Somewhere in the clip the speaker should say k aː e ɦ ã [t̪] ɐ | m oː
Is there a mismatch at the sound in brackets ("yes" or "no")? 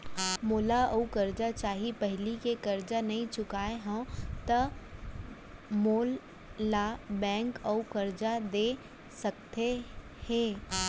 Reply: no